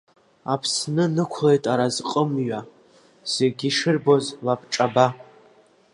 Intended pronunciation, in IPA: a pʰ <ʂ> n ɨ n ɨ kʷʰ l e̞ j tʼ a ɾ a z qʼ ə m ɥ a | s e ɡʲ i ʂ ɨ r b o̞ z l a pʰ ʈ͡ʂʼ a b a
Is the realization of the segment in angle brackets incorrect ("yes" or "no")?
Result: yes